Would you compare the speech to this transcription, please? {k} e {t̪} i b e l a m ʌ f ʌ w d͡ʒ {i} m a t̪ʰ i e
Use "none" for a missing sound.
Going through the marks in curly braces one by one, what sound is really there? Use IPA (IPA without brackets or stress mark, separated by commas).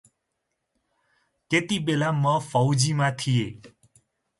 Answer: k, t̪, i